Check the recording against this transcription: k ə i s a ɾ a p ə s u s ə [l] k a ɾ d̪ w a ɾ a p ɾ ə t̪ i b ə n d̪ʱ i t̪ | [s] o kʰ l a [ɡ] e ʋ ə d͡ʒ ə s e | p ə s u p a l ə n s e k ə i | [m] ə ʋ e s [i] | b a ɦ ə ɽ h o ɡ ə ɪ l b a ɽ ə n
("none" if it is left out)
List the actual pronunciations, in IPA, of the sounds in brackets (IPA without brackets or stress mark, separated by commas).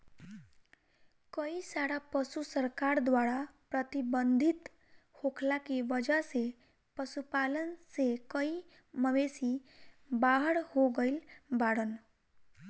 ɾ, h, k, m, i